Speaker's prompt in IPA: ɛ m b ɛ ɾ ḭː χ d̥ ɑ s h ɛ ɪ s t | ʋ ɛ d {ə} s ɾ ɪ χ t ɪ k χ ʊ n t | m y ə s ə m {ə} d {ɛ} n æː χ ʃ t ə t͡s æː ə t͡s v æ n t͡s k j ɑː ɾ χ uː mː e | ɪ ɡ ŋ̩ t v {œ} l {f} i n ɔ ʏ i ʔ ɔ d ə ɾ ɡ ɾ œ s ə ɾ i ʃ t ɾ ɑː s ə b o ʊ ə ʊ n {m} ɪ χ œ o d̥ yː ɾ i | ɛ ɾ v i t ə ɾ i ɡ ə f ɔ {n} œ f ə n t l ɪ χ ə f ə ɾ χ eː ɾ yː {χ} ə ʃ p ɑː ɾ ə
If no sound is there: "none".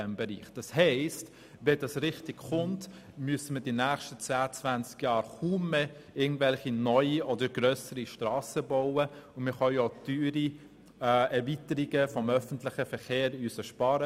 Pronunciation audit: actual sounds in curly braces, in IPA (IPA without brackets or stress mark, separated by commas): ɑ, ə, i, ɛ, χ, m, m, s